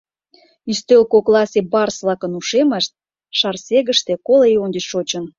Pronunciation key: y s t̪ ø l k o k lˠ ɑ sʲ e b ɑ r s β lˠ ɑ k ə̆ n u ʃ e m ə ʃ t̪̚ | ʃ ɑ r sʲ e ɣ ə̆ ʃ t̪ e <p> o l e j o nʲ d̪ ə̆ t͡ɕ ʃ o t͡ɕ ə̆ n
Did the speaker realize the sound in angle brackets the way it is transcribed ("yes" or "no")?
no